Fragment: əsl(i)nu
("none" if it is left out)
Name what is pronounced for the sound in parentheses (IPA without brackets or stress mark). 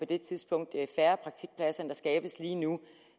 iː